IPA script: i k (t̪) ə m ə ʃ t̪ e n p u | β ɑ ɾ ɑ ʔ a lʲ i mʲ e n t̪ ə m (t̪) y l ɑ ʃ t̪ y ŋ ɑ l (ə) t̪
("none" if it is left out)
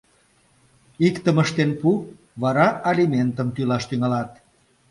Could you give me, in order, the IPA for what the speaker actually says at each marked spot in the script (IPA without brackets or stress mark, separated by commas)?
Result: t̪, t̪, ɑ